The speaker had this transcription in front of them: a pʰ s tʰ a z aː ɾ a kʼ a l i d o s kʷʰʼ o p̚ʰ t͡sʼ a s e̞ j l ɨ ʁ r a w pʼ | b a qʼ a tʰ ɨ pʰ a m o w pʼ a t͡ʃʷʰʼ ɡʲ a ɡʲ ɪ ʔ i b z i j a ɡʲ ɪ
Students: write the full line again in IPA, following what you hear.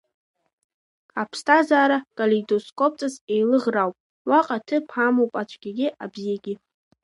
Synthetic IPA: a pʰ s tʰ a z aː ɾ a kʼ a l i d o s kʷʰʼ o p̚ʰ t͡sʼ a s e̞ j l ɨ ʁ r a w pʼ | w a qʼ a tʰ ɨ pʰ a m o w pʼ a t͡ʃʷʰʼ ɡʲ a ɡʲ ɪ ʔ a b z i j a ɡʲ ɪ